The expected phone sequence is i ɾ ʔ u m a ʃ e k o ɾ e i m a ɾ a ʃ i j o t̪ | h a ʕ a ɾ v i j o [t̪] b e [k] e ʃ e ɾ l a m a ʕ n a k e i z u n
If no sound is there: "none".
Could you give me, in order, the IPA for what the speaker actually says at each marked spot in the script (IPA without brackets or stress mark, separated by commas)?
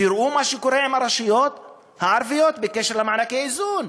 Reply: t̪, k